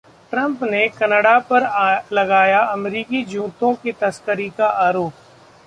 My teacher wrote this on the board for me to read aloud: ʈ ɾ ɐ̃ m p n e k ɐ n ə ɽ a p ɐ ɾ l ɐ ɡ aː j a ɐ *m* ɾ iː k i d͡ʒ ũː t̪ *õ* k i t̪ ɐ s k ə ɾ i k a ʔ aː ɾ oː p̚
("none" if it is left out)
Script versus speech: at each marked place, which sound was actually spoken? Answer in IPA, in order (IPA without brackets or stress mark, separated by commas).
m, õ